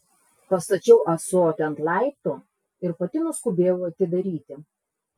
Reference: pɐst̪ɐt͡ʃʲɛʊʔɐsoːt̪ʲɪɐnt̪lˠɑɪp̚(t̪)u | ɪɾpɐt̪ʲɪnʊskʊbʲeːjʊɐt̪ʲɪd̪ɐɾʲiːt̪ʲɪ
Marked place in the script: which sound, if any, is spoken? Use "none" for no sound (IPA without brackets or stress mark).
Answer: t̪